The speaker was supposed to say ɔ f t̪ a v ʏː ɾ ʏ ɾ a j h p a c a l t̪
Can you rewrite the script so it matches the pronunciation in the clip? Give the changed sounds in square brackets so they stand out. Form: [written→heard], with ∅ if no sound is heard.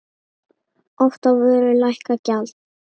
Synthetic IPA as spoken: ɔ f t̪ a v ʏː ɾ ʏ [ɾ→l] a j h [p→k] a c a l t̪